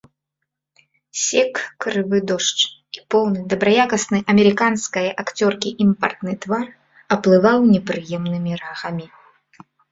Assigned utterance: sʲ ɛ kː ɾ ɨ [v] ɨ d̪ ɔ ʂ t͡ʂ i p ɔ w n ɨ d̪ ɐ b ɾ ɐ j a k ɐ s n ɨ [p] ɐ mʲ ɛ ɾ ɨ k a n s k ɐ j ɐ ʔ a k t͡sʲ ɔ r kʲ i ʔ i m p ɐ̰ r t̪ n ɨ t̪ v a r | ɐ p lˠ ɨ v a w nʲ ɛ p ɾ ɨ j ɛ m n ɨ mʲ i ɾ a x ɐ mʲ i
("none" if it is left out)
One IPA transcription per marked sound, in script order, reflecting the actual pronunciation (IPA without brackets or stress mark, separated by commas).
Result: v, ʔ